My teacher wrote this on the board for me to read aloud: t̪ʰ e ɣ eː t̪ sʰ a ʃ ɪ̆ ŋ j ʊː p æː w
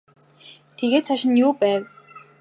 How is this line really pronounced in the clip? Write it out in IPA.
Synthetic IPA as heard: t̪ʰ e ɣ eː t̪ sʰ a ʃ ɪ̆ n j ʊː p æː w